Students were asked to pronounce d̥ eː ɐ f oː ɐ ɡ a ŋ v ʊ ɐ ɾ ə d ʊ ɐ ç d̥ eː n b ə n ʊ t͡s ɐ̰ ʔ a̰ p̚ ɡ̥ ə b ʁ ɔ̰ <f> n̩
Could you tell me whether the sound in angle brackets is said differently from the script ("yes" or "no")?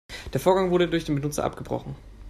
yes